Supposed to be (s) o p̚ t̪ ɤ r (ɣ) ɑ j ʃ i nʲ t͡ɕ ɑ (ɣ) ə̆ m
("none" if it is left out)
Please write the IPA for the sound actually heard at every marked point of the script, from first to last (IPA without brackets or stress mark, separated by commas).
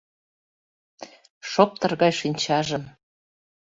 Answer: ʃ, ɣ, ʒ